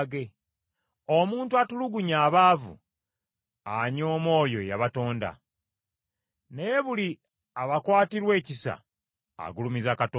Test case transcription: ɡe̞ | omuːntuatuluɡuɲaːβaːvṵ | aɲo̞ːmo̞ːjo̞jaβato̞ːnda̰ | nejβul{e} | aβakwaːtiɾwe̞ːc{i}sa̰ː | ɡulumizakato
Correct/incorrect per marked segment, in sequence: incorrect: i, correct

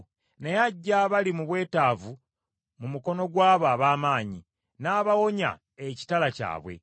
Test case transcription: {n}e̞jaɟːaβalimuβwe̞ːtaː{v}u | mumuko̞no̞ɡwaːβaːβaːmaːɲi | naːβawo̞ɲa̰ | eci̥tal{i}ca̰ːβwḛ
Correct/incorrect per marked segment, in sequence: correct, correct, incorrect: a

